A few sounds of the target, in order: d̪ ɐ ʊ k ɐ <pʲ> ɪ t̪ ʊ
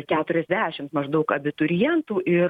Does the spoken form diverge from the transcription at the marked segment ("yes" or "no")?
yes